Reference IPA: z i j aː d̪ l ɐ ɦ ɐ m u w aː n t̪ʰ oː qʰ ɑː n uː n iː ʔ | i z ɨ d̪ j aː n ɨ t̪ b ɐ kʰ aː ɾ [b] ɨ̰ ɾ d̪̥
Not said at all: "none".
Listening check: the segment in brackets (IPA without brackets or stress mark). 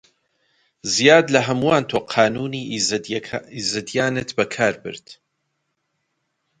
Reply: b